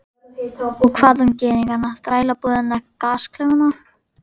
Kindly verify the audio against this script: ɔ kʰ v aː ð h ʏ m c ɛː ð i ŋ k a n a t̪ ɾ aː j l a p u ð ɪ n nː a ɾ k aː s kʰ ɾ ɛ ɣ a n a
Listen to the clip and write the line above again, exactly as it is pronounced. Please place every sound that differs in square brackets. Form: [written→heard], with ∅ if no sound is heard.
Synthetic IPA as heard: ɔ kʰ v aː ð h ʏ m c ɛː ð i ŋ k a n a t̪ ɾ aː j l a p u ð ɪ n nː a ɾ k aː s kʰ [ɾ→l] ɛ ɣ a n a